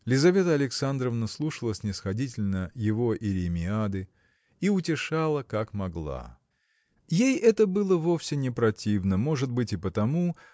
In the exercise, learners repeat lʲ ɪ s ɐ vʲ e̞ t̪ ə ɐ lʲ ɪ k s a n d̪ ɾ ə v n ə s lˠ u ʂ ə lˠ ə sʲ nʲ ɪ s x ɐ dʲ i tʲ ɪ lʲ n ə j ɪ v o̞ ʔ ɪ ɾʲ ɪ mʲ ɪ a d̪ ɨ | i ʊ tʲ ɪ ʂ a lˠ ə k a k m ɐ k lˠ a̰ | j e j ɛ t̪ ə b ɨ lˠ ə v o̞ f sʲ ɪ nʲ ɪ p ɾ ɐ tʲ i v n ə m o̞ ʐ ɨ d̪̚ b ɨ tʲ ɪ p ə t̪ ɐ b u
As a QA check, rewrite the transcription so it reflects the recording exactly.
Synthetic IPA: lʲ ɪ z ɐ vʲ e̞ t̪ ə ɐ lʲ ɪ k s a n d̪ ɾ ə v n ə s lˠ u ʂ ə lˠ ə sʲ nʲ ɪ s x ɐ dʲ i tʲ ɪ lʲ n ə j ɪ v o̞ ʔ ɪ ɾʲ ɪ mʲ ɪ a d̪ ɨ | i ʊ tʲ ɪ ʂ a lˠ ə k a k m ɐ ɡ lˠ a̰ | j e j ɛ t̪ ə b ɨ lˠ ə v o̞ f sʲ ɪ nʲ ɪ p ɾ ɐ tʲ i v n ə m o̞ ʐ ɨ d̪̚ b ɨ tʲ ɪ p ə t̪ ɐ m u